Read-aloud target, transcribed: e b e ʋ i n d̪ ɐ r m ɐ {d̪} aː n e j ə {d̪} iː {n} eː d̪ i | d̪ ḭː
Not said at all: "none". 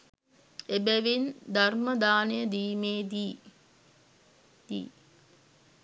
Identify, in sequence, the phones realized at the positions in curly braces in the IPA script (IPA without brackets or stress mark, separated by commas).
d̪, d̪, m